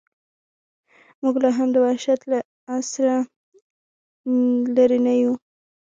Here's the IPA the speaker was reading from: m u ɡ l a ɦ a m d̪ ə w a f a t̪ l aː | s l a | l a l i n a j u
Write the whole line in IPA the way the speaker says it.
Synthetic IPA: m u ɡ l a ɦ a m d̪ ə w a ʃ a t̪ l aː | s ɾ a | l a ɾ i n a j u